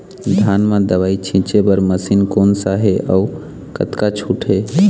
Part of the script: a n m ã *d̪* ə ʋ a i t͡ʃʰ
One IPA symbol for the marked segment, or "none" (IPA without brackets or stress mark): d̪